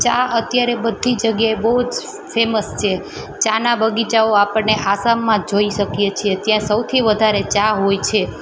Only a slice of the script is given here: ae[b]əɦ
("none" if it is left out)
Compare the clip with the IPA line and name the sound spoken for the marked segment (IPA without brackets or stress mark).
b